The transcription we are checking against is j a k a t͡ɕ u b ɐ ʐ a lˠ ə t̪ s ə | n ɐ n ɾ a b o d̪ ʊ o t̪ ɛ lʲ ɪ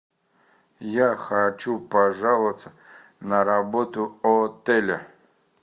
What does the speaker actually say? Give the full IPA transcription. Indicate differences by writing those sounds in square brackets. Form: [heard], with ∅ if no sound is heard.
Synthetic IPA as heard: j a [x] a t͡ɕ u [p] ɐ ʐ a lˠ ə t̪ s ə | n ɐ [∅] ɾ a b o [t̪] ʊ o t̪ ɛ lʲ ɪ